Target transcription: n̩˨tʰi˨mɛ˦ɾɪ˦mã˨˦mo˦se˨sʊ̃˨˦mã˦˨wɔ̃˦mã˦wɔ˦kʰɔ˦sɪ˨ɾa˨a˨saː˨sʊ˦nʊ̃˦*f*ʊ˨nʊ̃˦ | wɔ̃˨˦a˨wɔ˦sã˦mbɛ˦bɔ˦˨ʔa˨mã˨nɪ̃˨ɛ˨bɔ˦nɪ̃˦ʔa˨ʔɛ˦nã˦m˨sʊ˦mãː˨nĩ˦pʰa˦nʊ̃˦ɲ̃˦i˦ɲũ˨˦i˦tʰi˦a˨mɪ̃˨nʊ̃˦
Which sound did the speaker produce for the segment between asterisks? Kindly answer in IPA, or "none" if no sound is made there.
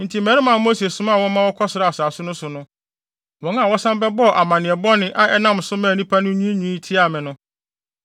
s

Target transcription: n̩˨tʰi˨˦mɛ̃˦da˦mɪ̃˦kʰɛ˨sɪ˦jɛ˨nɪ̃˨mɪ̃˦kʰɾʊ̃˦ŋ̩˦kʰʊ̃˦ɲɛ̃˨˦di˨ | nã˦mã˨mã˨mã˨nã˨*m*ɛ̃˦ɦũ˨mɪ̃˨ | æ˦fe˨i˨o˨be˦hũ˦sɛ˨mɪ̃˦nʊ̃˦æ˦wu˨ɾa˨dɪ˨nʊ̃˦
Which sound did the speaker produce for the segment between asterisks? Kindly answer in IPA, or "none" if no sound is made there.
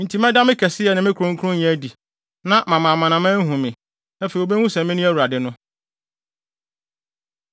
m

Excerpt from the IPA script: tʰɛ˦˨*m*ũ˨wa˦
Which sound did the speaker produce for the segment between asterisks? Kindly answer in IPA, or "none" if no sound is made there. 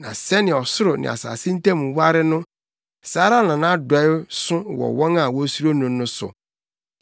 m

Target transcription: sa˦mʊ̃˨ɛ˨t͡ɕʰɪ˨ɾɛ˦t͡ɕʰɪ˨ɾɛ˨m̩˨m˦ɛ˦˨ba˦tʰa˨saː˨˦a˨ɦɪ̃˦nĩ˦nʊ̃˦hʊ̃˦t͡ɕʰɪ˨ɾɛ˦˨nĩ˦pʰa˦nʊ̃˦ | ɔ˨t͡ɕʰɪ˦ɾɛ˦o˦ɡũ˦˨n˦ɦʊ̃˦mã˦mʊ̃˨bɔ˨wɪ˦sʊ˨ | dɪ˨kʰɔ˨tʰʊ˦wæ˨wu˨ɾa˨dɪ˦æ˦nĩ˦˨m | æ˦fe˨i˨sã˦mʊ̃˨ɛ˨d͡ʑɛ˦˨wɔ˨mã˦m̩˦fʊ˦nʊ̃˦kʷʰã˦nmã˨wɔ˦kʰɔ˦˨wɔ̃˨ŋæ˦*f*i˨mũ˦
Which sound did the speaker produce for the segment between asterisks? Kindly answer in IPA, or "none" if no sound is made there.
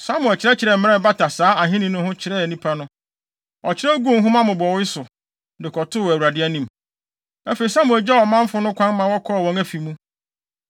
f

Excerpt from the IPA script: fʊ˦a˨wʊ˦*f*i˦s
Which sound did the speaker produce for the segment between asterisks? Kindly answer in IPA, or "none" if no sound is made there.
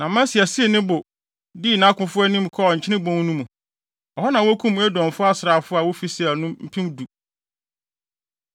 f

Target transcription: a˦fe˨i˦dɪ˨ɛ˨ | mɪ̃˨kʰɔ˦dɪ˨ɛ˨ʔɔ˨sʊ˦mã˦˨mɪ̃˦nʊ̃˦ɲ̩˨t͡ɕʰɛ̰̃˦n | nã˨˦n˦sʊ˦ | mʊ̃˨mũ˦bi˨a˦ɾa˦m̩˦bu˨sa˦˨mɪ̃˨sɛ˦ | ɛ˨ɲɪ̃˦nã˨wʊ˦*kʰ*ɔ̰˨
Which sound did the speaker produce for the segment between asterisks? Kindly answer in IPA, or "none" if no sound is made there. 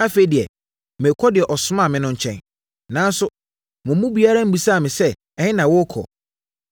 kʰ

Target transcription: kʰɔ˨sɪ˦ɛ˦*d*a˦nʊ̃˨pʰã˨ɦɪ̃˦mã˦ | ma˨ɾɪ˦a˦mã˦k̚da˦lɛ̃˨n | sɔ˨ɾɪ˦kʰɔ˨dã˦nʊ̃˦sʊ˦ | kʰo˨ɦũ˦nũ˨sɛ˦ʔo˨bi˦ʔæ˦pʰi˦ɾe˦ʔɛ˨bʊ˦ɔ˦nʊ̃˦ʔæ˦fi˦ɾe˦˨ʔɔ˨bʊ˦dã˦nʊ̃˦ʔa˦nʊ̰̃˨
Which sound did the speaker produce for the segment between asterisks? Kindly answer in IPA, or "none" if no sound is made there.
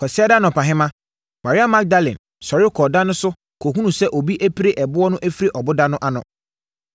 d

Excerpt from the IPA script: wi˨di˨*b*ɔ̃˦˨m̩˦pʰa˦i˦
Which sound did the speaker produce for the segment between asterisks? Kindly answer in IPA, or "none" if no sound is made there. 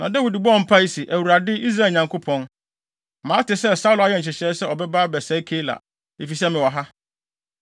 b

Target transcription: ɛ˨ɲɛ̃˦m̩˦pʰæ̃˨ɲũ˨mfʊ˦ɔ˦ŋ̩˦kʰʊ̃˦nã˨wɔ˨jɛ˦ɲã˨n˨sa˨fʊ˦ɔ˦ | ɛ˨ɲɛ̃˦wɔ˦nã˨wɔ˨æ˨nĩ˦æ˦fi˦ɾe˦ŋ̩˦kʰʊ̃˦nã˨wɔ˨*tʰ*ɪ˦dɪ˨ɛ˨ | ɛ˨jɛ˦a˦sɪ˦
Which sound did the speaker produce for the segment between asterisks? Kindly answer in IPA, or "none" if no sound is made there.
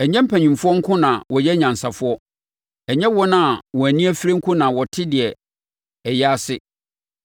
tʰ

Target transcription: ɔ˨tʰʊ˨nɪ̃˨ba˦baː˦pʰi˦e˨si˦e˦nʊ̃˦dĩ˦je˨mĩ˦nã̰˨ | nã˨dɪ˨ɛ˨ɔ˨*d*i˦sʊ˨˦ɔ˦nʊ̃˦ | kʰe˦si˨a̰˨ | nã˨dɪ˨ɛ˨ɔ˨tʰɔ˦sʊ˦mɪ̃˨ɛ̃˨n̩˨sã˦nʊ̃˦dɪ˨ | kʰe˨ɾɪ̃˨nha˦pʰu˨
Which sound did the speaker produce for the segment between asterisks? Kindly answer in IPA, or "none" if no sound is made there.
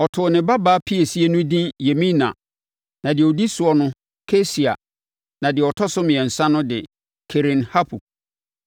d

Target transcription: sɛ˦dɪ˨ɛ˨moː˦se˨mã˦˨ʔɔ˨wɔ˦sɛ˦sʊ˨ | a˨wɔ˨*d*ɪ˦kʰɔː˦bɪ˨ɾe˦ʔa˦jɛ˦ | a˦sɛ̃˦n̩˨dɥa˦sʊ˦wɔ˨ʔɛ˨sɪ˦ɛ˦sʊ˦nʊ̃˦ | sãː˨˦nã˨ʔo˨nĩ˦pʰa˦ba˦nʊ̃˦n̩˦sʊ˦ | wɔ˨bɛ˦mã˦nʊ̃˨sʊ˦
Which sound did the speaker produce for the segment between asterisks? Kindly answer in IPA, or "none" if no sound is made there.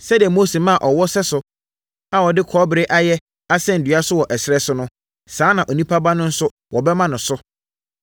d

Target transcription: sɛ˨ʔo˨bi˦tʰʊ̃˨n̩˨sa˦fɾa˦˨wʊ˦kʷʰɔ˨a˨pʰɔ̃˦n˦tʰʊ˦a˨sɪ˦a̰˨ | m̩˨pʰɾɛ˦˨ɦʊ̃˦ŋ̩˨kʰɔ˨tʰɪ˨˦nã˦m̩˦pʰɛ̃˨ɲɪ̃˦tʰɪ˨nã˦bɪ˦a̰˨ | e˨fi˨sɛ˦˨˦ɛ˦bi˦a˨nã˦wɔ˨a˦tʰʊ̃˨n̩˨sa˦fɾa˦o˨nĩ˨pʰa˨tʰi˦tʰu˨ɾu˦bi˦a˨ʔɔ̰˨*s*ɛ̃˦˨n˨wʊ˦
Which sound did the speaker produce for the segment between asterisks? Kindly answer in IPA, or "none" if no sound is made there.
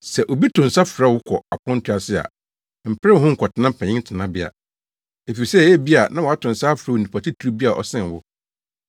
s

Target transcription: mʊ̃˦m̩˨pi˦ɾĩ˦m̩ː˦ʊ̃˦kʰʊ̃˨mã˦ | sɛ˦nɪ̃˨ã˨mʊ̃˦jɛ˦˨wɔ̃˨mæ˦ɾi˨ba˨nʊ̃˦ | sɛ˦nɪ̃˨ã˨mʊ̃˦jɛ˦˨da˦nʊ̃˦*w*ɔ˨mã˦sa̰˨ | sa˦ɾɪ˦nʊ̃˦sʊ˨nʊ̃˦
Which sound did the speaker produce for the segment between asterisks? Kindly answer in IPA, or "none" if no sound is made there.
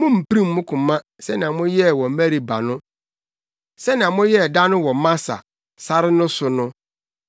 w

